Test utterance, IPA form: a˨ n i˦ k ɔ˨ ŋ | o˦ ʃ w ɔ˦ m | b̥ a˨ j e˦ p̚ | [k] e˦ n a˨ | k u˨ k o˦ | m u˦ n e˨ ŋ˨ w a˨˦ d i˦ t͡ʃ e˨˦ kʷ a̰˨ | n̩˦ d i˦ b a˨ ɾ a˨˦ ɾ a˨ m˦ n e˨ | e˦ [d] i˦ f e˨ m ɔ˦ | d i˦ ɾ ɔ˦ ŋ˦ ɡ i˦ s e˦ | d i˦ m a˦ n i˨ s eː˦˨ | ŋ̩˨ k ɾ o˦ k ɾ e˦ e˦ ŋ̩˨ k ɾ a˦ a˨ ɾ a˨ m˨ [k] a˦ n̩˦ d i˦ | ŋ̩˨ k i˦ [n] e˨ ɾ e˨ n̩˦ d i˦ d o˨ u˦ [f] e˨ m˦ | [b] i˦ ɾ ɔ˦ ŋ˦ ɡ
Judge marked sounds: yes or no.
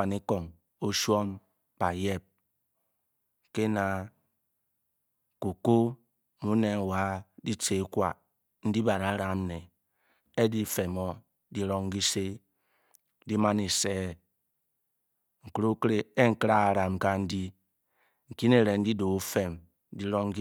yes, yes, yes, yes, yes, no

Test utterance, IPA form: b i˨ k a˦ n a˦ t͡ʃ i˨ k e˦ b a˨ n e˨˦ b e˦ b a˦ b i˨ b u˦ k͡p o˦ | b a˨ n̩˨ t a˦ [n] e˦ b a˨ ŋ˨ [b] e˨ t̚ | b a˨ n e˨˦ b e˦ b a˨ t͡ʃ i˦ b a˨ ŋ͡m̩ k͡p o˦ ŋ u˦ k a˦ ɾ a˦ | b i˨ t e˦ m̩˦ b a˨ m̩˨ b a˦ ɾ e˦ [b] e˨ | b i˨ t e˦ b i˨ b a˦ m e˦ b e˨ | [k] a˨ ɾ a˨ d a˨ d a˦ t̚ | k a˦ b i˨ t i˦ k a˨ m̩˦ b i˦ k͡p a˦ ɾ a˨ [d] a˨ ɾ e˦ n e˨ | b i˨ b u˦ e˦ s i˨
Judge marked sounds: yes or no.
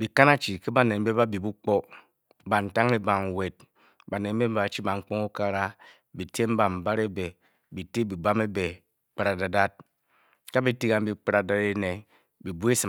no, no, yes, no, yes

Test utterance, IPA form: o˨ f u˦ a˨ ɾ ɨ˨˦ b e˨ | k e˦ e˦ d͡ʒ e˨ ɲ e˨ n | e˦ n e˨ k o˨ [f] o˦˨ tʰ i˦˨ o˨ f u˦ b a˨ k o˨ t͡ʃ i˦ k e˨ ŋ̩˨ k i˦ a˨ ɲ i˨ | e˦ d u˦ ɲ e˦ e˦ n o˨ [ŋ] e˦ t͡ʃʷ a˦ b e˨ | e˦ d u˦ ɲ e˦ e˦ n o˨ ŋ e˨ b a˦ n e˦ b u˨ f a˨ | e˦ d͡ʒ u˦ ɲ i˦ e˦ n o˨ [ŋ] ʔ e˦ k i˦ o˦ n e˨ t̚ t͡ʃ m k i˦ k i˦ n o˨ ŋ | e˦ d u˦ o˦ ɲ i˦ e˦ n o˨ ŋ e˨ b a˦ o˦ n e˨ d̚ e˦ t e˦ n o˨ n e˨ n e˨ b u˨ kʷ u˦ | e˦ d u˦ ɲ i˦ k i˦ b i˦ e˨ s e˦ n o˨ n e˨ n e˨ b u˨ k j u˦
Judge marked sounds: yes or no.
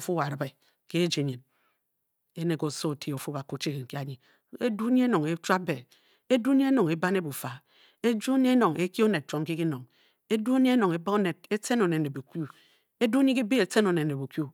no, yes, yes

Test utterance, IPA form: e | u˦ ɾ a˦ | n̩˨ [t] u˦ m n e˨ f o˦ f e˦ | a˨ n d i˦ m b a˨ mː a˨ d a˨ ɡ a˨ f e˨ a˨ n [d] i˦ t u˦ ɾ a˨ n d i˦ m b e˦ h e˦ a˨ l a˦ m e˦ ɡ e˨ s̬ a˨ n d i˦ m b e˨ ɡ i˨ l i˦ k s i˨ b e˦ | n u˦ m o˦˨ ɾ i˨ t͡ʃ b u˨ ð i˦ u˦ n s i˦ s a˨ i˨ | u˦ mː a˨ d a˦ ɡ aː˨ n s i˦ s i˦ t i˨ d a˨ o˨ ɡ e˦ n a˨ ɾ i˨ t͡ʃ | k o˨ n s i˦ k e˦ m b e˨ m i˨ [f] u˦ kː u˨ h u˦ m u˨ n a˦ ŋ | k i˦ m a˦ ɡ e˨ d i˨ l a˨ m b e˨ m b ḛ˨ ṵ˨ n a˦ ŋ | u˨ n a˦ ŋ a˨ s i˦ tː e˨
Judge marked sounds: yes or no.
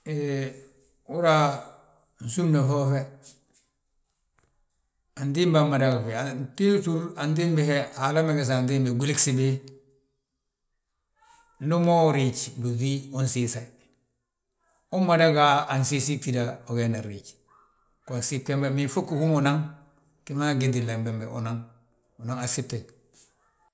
no, no, yes

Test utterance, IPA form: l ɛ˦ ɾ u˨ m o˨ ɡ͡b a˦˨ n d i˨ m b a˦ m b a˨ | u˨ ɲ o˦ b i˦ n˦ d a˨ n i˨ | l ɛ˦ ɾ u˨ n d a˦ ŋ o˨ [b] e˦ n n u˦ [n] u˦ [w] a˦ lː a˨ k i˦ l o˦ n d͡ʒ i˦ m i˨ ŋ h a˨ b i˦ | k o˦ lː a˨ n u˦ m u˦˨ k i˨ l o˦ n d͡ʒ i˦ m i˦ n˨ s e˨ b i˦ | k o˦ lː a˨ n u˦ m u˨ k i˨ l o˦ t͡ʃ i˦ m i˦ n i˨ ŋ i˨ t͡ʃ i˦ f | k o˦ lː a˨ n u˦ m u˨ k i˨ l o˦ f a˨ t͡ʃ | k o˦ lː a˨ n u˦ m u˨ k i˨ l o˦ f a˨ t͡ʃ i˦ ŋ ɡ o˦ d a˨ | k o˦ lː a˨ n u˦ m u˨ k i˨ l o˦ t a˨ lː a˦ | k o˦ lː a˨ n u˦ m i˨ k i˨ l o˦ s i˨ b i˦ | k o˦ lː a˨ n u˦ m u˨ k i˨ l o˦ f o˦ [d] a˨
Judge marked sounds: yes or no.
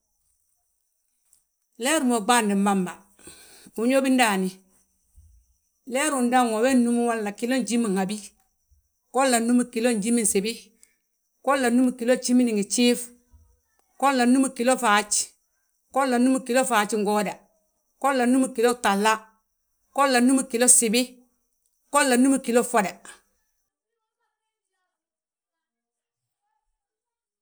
no, no, yes, yes

